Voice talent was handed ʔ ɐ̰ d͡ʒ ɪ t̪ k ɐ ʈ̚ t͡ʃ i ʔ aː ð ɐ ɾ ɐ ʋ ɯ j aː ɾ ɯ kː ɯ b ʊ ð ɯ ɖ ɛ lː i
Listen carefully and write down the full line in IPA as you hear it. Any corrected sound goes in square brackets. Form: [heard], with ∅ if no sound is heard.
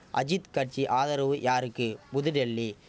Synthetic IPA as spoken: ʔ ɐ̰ d͡ʒ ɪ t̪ k ɐ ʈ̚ t͡ʃ i ʔ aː ð ɐ ɾ ɐ ʋ ɯ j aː ɾ ɯ kː ɯ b ʊ ð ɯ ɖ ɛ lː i